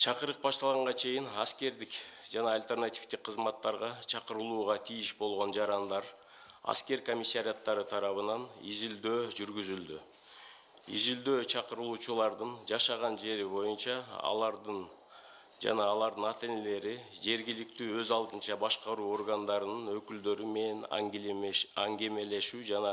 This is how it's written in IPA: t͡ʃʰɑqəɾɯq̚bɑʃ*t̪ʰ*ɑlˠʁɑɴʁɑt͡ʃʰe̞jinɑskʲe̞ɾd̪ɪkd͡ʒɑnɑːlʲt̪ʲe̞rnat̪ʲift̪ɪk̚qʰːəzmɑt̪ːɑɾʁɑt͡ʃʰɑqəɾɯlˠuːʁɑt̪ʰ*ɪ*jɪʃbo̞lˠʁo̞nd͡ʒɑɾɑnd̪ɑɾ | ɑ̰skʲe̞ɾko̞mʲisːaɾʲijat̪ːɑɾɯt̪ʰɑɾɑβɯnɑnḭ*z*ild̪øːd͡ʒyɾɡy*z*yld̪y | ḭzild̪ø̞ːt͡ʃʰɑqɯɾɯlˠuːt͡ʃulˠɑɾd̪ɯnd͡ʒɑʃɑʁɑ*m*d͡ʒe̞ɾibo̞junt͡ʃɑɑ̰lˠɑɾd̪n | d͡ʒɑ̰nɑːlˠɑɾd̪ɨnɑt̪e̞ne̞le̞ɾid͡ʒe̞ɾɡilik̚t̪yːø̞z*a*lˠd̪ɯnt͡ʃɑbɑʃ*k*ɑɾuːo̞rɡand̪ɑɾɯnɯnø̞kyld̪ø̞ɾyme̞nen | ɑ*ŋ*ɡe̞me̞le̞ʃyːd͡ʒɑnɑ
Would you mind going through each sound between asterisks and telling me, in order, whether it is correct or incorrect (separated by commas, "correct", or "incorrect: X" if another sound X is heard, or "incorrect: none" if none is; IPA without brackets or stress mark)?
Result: incorrect: t̪, incorrect: i, correct, correct, incorrect: n, incorrect: ɑ, incorrect: q, correct